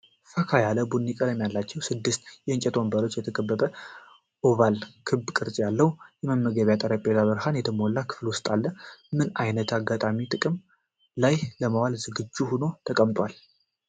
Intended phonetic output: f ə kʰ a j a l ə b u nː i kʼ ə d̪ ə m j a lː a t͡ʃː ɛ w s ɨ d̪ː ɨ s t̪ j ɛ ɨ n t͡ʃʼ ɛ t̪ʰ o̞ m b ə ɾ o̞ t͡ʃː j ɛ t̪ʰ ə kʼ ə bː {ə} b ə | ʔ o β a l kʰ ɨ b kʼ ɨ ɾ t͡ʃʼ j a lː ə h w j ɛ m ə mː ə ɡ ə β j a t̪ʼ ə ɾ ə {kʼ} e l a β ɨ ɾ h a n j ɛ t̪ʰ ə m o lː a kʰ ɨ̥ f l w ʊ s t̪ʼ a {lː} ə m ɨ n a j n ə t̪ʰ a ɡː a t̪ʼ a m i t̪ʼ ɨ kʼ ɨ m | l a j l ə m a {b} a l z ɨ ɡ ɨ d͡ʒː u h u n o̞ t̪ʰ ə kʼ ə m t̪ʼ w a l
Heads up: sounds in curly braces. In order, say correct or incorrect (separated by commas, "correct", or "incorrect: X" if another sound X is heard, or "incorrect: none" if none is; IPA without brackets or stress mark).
correct, incorrect: pʼ, correct, incorrect: w